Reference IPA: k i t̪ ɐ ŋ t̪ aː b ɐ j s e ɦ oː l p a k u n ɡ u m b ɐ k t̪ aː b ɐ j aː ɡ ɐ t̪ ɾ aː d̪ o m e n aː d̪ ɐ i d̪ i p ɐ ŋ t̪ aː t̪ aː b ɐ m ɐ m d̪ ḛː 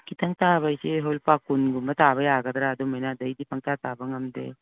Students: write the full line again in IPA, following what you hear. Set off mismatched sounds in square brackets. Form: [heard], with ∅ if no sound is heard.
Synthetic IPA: k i t̪ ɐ ŋ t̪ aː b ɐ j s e ɦ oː l p a k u n ɡ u m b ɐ [∅] t̪ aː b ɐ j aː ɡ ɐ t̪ ɾ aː d̪ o m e n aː d̪ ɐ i d̪ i p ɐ ŋ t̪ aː t̪ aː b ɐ [ŋ] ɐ m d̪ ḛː